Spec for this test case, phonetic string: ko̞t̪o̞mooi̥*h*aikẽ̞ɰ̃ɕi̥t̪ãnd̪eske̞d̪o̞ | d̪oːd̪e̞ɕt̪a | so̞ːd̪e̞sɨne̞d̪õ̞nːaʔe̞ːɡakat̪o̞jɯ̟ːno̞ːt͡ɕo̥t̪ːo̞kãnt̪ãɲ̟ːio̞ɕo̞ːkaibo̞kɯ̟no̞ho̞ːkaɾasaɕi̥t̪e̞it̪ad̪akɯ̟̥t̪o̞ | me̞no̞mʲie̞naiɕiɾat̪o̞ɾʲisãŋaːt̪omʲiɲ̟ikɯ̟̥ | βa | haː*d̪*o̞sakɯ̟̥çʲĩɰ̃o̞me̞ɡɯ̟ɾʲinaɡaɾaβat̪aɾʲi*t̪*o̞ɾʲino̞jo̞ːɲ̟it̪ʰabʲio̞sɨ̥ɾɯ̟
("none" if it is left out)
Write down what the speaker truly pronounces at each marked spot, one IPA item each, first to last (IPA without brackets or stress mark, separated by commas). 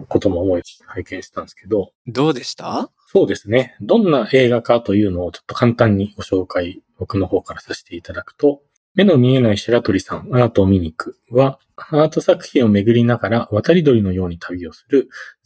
h, t̪, d̪